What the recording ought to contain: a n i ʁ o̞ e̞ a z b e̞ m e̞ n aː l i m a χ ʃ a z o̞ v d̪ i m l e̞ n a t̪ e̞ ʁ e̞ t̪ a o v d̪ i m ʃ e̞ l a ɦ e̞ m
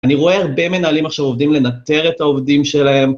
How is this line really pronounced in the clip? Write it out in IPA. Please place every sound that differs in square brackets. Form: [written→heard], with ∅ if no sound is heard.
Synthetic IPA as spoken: a n i ʁ o̞ e̞ a [z→ʁ] b e̞ m e̞ n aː l i m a χ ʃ a [z→v] o̞ v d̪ i m l e̞ n a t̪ e̞ ʁ e̞ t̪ a o v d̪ i m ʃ e̞ l a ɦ e̞ m